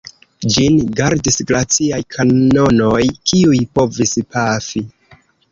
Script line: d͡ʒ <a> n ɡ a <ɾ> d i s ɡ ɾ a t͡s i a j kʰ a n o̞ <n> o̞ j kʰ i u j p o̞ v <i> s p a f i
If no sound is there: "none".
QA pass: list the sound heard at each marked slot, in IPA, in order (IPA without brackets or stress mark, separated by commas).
i, ɾ, n, i